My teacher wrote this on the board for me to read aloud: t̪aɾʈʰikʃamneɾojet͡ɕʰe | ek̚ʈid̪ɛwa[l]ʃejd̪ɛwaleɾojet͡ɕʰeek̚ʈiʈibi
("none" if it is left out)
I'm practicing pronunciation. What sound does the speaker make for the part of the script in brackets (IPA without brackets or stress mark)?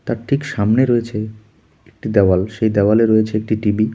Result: l